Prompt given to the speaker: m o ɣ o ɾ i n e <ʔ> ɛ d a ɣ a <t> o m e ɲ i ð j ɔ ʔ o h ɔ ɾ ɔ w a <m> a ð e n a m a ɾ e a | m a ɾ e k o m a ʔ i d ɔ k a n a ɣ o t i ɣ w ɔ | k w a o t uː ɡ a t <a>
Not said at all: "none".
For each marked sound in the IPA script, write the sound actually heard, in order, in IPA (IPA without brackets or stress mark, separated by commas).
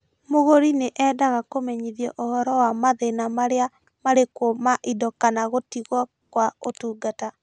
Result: ʔ, k, m, a